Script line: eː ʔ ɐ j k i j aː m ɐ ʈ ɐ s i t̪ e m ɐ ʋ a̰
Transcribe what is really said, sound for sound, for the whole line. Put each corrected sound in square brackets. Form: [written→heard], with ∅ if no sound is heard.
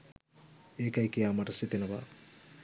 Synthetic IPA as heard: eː [ʔ→k] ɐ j k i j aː m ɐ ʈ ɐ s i t̪ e [m→n] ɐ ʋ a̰